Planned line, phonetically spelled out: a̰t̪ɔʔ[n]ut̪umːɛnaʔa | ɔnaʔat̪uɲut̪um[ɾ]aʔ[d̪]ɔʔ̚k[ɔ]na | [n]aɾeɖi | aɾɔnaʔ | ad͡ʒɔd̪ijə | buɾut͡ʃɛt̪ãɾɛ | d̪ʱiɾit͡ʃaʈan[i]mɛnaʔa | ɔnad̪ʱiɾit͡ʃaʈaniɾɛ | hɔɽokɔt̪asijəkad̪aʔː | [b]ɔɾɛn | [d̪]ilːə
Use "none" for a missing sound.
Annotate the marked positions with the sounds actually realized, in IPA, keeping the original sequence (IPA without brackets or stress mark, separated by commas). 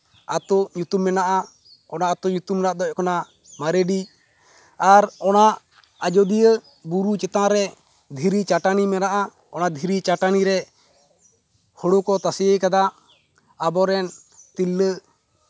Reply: ɲ, ɾ, d̪, ɔ, m, i, b, t̪